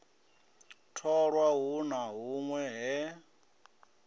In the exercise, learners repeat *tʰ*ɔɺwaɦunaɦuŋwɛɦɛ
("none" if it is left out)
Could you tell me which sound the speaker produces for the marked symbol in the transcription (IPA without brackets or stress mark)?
tʰ